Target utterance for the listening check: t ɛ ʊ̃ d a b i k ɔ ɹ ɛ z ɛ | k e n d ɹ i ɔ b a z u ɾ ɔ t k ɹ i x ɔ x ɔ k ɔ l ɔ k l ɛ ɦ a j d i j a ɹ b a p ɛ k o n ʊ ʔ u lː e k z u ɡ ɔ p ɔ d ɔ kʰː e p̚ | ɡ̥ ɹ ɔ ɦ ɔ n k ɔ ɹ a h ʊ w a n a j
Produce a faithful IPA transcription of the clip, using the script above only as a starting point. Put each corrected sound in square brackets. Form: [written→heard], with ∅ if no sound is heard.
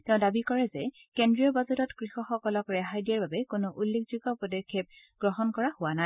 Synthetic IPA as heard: t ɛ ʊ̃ d a b i k ɔ ɹ ɛ z ɛ | k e n d ɹ i ɔ b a z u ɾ ɔ t k ɹ i x ɔ x ɔ k ɔ l ɔ k [l→ɹ] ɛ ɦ a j d i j a ɹ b a [p→b] ɛ k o n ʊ ʔ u lː e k z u ɡ ɔ p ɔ d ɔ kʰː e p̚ | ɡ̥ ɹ ɔ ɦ ɔ n k ɔ ɹ a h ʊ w a n a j